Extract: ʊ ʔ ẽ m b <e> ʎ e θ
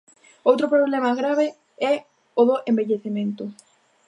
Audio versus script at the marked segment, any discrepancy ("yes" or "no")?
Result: no